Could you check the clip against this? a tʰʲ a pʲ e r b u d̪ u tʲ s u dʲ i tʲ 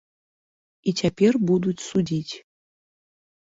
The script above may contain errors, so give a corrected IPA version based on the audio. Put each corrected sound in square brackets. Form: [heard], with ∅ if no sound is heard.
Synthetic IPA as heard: [i] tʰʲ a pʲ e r b u d̪ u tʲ s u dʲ i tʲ